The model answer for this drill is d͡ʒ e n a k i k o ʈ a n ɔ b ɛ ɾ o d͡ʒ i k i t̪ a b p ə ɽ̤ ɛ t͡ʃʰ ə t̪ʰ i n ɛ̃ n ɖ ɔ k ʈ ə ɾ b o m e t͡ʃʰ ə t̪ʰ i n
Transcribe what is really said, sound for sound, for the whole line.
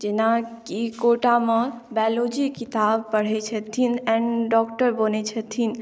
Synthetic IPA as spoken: d͡ʒ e n a k i k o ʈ a m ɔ b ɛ l o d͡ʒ i k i t̪ a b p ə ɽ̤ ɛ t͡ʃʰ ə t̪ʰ i n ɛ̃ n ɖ ɔ k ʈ ə ɾ b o n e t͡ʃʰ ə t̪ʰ i n